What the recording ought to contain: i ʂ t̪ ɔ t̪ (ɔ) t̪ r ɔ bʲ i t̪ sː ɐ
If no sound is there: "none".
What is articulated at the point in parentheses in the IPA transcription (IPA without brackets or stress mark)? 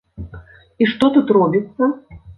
u